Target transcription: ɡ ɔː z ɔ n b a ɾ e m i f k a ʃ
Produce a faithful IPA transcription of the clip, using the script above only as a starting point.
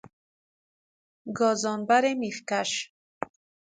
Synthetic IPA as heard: ɡ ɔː z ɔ n b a ɾ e m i f k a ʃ